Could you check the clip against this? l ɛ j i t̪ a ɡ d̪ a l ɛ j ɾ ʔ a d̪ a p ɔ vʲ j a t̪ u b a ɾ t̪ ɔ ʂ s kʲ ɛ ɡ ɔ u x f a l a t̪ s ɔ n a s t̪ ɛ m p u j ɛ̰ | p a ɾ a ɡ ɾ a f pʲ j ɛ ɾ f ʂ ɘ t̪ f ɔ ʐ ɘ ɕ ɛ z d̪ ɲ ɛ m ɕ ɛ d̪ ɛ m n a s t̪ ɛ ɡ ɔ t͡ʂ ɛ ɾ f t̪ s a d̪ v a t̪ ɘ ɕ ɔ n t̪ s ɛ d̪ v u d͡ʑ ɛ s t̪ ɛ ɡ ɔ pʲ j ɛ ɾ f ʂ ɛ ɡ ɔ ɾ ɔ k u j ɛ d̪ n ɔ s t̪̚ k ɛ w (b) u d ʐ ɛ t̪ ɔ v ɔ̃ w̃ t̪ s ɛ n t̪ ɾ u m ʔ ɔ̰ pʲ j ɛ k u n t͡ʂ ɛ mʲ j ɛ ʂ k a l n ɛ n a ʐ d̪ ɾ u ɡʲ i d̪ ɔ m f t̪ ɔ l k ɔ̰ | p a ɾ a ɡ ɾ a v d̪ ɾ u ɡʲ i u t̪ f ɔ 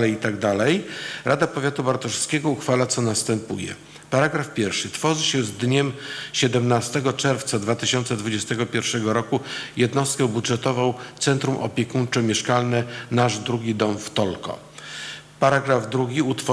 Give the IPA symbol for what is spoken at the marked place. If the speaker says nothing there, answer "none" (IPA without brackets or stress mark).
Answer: b